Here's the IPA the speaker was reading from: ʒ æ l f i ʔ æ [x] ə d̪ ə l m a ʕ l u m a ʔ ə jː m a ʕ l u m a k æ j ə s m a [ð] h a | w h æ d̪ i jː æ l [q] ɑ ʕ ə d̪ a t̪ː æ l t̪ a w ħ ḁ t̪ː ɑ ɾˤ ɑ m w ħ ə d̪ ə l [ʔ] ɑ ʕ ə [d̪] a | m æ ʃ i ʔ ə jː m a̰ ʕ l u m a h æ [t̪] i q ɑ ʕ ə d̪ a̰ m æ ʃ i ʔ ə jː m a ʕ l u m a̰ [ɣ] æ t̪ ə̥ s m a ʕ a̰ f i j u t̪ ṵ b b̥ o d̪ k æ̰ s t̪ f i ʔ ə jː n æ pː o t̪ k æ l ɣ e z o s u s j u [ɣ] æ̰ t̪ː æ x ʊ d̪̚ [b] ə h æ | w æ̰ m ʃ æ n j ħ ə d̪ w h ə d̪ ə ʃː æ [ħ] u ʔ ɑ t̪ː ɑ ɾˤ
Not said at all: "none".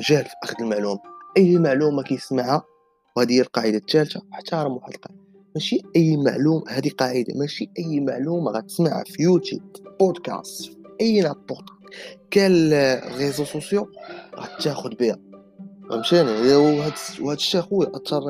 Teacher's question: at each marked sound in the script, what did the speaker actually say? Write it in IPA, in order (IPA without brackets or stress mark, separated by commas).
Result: x, ʕ, q, q, d̪, d̪, ɣ, ɣ, b, x